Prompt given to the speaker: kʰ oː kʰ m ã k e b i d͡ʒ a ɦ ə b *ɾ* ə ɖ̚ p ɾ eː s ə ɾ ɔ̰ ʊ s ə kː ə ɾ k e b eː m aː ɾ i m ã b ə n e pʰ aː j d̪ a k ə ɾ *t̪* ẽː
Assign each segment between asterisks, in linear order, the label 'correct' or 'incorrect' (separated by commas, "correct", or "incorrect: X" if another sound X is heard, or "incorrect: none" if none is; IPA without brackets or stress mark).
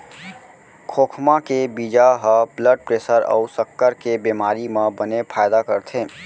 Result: incorrect: l, incorrect: t̪ʰ